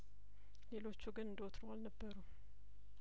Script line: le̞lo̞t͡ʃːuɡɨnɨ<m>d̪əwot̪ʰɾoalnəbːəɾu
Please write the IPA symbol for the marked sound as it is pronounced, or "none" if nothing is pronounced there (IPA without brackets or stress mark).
n